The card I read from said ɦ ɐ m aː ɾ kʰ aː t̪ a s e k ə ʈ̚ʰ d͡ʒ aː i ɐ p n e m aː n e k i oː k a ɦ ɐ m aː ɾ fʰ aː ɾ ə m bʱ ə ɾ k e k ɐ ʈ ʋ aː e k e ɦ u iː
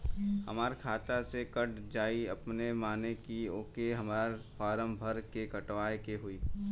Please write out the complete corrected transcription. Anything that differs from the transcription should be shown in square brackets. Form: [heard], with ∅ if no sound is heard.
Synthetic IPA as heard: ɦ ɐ m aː ɾ kʰ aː t̪ a s e k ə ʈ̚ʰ d͡ʒ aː i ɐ p n e m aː n e k i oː k [e] ɦ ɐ m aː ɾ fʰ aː ɾ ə m bʱ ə ɾ k e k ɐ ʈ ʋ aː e k e ɦ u iː